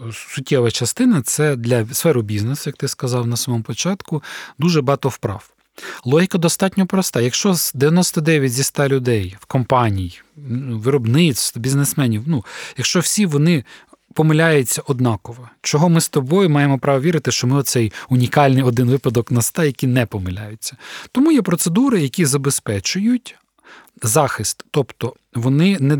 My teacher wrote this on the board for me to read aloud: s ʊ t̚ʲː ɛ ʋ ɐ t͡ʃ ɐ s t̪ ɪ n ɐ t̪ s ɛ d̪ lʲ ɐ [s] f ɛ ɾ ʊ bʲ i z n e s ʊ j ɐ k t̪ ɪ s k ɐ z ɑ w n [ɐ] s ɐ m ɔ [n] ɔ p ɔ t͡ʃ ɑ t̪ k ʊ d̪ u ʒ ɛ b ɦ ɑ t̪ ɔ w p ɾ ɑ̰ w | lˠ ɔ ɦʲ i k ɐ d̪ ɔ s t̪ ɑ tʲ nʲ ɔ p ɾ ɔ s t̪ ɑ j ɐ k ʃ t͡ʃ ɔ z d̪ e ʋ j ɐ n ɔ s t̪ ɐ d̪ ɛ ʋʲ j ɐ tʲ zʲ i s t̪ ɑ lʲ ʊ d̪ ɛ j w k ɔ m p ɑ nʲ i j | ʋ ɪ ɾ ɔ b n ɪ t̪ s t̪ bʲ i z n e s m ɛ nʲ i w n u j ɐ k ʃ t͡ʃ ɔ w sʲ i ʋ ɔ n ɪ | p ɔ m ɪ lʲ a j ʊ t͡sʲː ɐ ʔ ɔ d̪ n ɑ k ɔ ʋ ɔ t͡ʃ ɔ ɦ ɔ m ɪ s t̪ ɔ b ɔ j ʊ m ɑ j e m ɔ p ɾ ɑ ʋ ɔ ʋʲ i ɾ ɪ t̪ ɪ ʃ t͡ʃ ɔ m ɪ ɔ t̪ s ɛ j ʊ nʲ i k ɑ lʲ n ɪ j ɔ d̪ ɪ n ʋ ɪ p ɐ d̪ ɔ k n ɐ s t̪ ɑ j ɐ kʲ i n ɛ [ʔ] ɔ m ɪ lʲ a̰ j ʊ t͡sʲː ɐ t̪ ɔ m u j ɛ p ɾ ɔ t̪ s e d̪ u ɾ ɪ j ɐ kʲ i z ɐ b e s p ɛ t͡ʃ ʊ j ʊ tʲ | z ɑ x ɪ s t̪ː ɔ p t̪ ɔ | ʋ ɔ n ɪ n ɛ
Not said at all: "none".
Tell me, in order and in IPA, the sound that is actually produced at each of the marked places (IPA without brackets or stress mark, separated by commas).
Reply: s, ɐ, m, p